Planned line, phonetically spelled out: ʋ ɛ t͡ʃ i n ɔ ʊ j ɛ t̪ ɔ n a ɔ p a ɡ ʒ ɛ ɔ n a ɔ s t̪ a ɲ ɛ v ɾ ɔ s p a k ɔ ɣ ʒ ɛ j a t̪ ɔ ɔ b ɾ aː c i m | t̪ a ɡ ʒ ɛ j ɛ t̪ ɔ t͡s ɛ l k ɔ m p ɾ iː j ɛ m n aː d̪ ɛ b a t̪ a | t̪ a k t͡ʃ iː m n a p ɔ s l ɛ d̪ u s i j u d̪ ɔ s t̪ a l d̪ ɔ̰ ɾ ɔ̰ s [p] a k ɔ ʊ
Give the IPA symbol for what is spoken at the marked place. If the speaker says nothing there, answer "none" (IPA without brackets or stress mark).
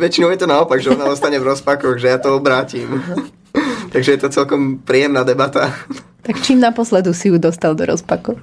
p